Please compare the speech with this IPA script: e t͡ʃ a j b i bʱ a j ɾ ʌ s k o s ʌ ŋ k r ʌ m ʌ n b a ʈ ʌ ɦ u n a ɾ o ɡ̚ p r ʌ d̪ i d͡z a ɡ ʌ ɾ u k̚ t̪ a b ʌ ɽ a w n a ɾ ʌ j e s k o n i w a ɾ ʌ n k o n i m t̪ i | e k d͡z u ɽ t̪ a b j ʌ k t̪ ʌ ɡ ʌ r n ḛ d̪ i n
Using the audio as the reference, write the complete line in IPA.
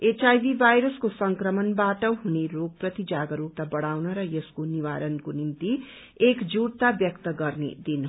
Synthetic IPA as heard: e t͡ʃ a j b i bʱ a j ɾ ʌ s k o s ʌ ŋ k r ʌ m ʌ n b a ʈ ʌ ɦ u n e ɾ o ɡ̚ p r ʌ t̪ i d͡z a ɡ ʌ ɾ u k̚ t̪ a b ʌ ɽ a w n ʌ ɾ ʌ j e s k o n i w a ɾ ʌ n k o n i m t̪ i | e k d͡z u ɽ t̪ a b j ʌ k t̪ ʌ ɡ ʌ r n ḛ d̪ i n